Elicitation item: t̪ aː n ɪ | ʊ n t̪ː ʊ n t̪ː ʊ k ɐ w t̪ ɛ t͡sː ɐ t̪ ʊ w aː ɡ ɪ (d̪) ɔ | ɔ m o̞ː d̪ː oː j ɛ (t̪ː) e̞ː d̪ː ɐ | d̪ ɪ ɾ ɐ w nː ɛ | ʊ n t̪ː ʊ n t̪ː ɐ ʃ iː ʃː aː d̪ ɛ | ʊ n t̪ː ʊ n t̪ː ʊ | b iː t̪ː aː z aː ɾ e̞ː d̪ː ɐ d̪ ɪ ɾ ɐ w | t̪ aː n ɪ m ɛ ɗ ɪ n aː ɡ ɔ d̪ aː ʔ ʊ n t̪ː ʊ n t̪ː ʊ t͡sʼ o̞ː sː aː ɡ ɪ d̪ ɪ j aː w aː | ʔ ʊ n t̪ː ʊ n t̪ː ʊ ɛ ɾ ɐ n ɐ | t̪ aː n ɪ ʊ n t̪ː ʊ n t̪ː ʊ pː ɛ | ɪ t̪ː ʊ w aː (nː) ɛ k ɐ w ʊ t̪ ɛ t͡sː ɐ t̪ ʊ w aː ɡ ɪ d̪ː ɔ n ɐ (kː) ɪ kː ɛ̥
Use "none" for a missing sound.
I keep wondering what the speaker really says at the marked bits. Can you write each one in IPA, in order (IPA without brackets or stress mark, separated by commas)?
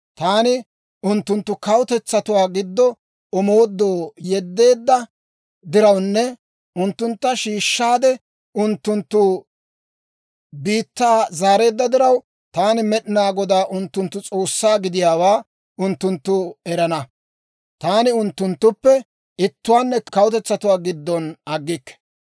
d̪ː, d̪ː, nː, ɡː